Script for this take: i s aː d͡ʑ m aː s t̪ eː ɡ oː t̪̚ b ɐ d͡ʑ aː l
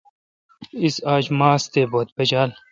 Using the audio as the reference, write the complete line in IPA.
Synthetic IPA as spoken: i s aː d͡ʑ m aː s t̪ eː b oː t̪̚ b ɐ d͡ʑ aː l